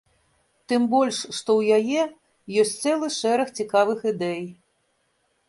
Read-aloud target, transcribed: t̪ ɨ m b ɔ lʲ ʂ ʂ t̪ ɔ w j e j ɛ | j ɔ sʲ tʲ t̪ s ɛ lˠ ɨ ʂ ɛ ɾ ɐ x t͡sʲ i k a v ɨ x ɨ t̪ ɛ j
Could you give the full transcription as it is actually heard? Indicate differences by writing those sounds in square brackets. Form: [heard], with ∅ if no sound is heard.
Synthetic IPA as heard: t̪ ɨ m b ɔ lʲ ʂ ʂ t̪ ɔ w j [a] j ɛ | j ɔ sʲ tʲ t̪ s ɛ lˠ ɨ ʂ ɛ ɾ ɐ x t͡sʲ i k a v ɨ x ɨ [d̪] ɛ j